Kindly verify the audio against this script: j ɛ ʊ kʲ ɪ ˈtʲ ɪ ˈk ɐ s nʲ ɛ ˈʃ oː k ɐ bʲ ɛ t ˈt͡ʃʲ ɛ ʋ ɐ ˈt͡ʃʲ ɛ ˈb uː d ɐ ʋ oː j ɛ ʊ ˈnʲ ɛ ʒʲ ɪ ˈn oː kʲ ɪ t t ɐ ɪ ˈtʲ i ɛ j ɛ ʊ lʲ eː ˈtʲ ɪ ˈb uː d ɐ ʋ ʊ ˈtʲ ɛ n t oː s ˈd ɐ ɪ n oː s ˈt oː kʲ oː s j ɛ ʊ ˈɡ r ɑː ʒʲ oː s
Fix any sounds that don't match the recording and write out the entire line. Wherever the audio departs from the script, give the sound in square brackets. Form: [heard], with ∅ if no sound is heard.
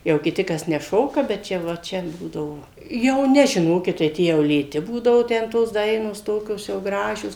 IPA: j ɛ ʊ kʲ ɪ ˈtʲ ɪ ˈk ɐ s nʲ ɛ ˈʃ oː k ɐ bʲ ɛ t ˈt͡ʃʲ ɛ ʋ ɐ ˈt͡ʃʲ ɛ ˈb uː d ɐ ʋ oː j ɛ ʊ ˈnʲ ɛ ʒʲ ɪ ˈn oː kʲ ɪ t t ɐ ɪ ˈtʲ i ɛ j ɛ ʊ lʲ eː ˈtʲ ɪ ˈb uː d ɐ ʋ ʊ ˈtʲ ɛ n t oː s ˈd ɐ ɪ n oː s ˈt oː kʲ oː s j ɛ ʊ ˈɡ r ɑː ʒʲ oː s